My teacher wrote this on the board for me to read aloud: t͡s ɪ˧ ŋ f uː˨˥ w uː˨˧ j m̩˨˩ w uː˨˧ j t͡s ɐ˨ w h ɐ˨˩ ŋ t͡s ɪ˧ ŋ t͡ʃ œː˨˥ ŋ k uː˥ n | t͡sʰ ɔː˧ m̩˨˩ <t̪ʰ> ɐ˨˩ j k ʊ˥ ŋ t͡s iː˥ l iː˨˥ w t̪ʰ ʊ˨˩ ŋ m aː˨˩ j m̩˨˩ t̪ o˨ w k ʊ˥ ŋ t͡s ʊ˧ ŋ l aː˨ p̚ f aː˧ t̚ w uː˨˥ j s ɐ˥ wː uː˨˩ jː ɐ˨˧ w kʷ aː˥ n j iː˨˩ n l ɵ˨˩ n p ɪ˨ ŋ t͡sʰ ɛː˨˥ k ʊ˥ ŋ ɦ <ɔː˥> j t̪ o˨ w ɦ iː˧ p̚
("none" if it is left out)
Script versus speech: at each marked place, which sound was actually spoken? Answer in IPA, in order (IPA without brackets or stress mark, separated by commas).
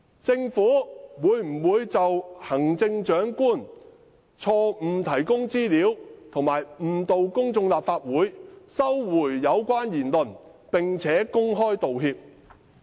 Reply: t̪ʰ, ɔː˥